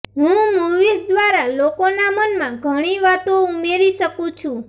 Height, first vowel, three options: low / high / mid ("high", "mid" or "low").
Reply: high